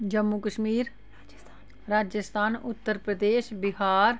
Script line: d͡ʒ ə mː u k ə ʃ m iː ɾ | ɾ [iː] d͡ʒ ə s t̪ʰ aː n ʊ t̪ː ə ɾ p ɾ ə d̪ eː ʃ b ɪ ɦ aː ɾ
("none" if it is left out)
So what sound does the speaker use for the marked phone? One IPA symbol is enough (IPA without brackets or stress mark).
aː